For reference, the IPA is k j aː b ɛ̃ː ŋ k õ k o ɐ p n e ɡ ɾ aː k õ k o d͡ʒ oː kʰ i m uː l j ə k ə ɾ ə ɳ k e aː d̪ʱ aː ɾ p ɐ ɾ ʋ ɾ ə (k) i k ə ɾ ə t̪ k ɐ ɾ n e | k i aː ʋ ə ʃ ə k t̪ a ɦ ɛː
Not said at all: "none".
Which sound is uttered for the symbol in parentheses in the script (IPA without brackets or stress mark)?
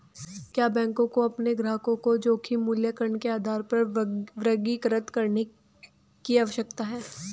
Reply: ɡ